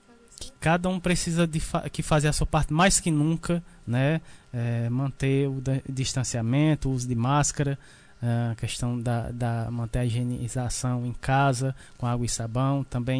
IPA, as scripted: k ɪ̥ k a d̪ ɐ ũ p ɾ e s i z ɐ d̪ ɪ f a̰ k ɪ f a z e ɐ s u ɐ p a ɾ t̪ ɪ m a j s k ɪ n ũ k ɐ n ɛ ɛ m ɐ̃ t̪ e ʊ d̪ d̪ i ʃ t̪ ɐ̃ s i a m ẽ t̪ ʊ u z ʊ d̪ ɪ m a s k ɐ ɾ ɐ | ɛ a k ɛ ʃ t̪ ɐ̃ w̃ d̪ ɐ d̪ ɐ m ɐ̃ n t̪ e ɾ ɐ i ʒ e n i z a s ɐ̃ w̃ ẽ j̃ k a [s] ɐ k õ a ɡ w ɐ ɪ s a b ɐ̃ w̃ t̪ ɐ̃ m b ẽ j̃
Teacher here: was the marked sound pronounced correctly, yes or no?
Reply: no